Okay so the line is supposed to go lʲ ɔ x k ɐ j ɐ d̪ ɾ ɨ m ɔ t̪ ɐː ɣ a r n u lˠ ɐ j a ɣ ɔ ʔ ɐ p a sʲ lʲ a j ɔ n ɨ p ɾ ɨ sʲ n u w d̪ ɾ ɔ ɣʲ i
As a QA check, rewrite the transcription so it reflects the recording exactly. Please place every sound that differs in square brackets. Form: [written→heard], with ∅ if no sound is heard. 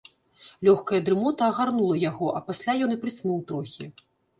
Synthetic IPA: lʲ ɔ x k ɐ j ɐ d̪ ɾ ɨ m ɔ t̪ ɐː ɣ a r n u lˠ ɐ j a ɣ ɔ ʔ ɐ p a sʲ lʲ a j ɔ n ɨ p ɾ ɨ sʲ n u w [d̪→t̪] ɾ ɔ [ɣʲ→xʲ] i